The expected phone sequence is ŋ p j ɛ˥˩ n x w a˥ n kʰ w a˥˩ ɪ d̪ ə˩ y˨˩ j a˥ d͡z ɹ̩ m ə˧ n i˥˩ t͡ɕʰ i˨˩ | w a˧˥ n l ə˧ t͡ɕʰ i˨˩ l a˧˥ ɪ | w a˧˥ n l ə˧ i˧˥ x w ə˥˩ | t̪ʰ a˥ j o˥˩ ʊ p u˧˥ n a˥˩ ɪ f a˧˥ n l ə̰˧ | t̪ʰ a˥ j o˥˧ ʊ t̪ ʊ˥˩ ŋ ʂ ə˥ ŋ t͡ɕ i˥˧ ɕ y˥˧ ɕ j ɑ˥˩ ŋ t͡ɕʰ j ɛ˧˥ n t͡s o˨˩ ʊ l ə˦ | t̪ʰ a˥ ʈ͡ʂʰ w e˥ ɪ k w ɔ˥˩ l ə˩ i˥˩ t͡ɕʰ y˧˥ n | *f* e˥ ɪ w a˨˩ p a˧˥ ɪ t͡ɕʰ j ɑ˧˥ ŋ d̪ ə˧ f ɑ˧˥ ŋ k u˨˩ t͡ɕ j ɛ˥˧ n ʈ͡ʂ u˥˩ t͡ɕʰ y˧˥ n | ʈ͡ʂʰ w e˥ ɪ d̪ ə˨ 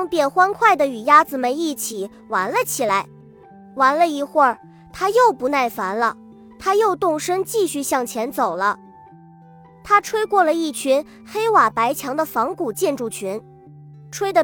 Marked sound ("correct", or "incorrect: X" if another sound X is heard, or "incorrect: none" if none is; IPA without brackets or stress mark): incorrect: x